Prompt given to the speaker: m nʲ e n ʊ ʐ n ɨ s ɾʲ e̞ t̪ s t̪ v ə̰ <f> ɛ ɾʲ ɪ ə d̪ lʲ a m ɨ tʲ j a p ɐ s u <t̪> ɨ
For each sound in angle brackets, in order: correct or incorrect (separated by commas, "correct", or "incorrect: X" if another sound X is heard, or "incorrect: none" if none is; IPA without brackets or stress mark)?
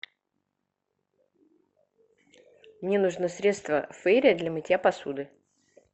correct, incorrect: d̪